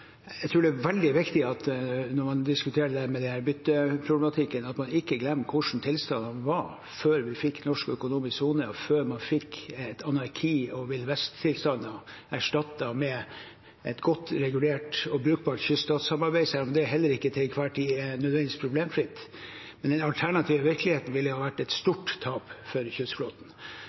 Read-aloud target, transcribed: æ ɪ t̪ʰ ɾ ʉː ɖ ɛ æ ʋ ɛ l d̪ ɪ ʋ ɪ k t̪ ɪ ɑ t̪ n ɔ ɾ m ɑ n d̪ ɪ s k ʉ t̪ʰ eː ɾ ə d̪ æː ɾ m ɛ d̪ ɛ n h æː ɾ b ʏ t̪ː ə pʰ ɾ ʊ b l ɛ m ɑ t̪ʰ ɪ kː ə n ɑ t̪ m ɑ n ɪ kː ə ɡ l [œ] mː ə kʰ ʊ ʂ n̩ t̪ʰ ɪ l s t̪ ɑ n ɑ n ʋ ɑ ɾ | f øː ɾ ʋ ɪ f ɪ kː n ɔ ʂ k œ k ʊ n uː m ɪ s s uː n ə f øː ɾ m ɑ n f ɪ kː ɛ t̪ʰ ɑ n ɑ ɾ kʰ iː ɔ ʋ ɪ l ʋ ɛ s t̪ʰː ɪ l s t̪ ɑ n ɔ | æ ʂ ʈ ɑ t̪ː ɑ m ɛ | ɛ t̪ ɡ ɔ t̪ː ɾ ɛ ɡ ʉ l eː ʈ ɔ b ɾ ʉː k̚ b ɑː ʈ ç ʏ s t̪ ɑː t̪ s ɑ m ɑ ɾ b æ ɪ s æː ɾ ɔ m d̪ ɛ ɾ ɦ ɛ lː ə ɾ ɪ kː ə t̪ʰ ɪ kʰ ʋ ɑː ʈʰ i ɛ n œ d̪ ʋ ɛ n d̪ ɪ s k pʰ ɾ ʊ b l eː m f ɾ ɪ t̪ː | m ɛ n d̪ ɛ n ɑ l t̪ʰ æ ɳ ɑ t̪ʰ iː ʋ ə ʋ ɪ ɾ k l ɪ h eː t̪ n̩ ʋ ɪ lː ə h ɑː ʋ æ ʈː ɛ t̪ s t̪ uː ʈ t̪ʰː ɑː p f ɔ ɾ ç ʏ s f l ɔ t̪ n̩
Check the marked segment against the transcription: incorrect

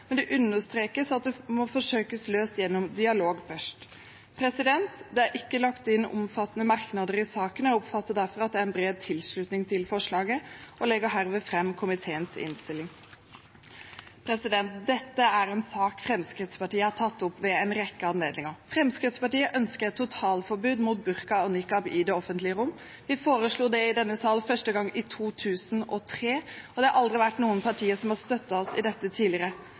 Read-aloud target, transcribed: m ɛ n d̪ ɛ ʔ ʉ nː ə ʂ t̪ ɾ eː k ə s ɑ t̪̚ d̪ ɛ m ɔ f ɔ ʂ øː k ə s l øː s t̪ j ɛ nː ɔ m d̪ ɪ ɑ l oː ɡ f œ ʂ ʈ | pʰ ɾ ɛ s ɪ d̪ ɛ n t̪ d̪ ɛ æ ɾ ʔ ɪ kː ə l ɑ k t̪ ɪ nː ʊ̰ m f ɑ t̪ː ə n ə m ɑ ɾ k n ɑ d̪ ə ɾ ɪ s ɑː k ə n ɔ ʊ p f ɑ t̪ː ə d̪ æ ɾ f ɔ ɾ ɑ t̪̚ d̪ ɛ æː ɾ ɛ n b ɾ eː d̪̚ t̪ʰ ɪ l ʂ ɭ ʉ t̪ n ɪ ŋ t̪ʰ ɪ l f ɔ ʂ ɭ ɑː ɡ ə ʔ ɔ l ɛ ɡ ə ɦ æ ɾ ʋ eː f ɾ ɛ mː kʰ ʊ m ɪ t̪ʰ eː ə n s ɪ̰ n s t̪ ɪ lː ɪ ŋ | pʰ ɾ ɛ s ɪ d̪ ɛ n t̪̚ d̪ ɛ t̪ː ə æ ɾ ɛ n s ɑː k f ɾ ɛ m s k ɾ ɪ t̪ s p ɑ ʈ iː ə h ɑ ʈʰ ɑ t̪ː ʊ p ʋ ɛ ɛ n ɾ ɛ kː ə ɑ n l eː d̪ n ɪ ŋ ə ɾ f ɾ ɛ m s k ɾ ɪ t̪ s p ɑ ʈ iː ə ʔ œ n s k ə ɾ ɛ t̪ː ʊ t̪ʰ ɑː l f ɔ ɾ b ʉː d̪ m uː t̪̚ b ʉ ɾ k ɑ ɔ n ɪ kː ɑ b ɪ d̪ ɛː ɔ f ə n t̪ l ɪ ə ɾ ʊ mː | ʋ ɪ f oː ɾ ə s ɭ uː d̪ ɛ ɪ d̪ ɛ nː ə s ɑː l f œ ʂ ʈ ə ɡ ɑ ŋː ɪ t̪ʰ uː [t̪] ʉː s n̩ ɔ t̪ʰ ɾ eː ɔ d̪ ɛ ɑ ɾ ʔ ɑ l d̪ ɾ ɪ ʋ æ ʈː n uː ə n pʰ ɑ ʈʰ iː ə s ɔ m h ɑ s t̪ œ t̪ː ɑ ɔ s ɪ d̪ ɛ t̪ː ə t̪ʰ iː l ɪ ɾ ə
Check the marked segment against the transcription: incorrect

